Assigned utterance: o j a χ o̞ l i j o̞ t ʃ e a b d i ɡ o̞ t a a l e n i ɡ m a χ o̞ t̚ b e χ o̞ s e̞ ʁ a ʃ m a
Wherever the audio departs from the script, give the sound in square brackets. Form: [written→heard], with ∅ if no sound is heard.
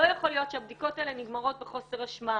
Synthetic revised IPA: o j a χ o̞ l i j o̞ t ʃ e a b d i [ɡ→k] o̞ t a [a→e] l e n i ɡ m a [χ→ʁ] o̞ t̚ b e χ o̞ s e̞ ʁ a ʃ m a